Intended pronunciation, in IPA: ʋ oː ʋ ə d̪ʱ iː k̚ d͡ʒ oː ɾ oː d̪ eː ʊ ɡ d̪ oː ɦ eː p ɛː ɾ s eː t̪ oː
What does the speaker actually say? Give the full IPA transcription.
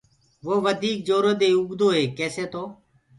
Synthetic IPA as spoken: ʋ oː ʋ ə d̪ʱ iː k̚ d͡ʒ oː ɾ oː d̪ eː ʊ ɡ d̪ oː ɦ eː k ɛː s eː t̪ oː